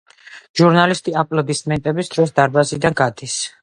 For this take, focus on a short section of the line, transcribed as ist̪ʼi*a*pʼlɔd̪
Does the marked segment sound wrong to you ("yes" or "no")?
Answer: no